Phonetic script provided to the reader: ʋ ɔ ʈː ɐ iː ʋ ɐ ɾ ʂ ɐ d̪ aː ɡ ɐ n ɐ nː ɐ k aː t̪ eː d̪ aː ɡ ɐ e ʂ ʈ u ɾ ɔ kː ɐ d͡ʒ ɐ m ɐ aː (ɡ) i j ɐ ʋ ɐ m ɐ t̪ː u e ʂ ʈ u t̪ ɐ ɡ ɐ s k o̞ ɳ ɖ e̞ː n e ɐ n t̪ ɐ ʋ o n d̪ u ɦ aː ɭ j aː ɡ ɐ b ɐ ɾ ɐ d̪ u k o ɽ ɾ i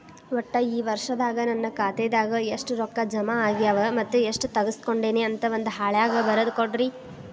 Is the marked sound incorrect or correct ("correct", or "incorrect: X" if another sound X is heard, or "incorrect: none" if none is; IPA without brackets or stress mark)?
correct